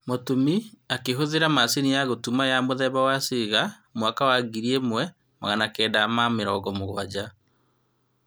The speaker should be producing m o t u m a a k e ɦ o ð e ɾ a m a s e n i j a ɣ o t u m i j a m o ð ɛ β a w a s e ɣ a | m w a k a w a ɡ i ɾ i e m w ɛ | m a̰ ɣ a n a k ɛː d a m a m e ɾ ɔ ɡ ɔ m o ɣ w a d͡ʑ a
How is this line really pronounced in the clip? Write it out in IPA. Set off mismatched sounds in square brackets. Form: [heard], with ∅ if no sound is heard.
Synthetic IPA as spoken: m o t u m [i] a k e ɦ o ð e ɾ a m a s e n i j a ɣ o t u m [a] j a m o ð ɛ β a w a s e ɣ a | m w a k a w a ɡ i ɾ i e m w ɛ | m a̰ ɣ a n a k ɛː d a m a m e ɾ ɔ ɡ ɔ m o ɣ w a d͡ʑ a